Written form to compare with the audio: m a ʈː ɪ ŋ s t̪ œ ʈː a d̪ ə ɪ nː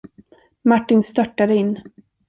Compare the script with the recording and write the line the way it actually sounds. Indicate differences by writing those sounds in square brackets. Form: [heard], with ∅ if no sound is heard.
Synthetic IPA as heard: m a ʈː ɪ [n] s t̪ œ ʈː a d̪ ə ɪ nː